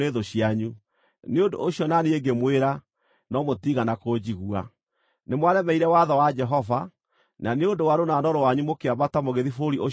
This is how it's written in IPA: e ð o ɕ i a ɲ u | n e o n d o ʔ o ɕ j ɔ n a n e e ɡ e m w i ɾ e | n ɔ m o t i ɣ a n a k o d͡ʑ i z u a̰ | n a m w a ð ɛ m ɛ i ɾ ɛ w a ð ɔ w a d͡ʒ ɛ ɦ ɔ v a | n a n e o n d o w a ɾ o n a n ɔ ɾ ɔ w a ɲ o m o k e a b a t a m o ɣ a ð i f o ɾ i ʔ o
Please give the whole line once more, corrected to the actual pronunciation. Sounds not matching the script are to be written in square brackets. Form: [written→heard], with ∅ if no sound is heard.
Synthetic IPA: e ð o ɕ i a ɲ u | n e o n d o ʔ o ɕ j ɔ n a n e e ɡ e m w [i→e] ɾ [e→a] | n ɔ m o t i ɣ a n a k o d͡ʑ i [z→ɣ] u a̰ | n [a→e] m w a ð ɛ m ɛ i ɾ ɛ w a ð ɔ w a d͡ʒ ɛ ɦ ɔ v a | n a n e o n d o w a ɾ o n a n ɔ ɾ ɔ w a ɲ [o→u] m o k e a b a t a m o ɣ [a→e] ð i f o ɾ i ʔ o

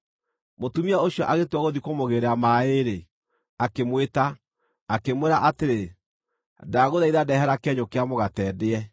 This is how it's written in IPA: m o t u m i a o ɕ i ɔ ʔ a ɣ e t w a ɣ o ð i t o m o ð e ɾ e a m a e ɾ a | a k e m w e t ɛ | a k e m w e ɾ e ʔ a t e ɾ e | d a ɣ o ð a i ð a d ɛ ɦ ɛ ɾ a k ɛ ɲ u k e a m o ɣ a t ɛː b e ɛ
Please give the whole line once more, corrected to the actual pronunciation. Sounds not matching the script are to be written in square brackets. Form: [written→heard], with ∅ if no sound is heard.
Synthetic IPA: m o t u m i a o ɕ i ɔ ʔ a ɣ e t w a ɣ o ð i [t→k] o m o [ð→ɣ] e ɾ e a m a e ɾ [a→e] | a k e m w e t [ɛ→a] | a k e m w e ɾ [e→a] ʔ a t e ɾ e | d a ɣ o ð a i ð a d ɛ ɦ ɛ ɾ a k ɛ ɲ [u→o] k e a m o ɣ a t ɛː [b→d] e ɛ

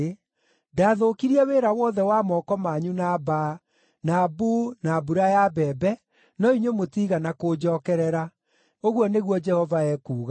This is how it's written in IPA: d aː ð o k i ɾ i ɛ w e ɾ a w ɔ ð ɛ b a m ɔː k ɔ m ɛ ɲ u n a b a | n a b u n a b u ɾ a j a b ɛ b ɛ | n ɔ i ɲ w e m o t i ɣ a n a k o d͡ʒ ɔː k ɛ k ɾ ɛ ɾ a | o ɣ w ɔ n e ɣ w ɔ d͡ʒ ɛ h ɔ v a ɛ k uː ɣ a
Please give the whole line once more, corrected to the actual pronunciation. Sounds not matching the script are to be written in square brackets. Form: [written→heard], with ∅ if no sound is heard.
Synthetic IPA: d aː ð o k i ɾ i ɛ w e ɾ a w ɔ ð ɛ [b→w] a m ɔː k ɔ m [ɛ→a] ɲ u n a b a | n a b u n a b u ɾ a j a b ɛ b ɛ | n ɔ i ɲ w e m o t i ɣ a n a k o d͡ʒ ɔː k ɛ [k→∅] ɾ ɛ ɾ a | o ɣ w ɔ n e ɣ w ɔ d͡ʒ ɛ h ɔ v a ɛ k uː ɣ a

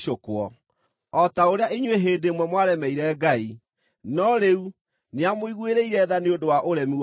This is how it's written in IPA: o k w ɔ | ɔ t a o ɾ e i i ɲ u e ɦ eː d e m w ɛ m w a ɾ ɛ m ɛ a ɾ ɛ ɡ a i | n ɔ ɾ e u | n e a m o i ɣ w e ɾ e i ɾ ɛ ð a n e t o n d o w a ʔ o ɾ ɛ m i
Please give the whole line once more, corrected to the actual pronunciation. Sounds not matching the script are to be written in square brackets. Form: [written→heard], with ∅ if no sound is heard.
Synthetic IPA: o k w ɔ | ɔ t a o ɾ e [i→a] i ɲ [u→w] e ɦ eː d e m w ɛ m w a ɾ ɛ m ɛ [a→i] ɾ ɛ ɡ a i | n ɔ ɾ e u | n e a m o i ɣ w e ɾ e i ɾ ɛ ð a n e [t→∅] o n d o w a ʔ o ɾ ɛ m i

